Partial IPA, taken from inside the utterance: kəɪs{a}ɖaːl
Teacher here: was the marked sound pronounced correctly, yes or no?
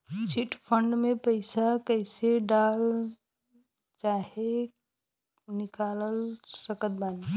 no